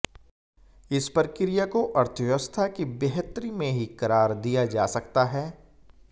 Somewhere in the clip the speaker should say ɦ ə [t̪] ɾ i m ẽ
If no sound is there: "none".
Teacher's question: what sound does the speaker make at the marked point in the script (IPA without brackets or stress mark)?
t̪